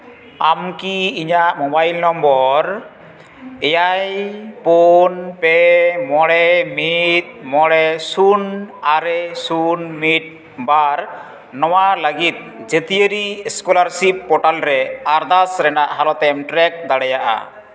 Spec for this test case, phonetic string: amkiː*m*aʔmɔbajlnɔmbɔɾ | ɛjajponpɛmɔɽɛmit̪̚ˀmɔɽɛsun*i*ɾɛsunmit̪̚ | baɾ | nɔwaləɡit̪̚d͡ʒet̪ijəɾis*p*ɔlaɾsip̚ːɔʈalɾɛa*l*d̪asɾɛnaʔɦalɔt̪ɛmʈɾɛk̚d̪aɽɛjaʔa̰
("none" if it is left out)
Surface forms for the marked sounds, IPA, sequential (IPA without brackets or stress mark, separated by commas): ɲ, a, k, ɾ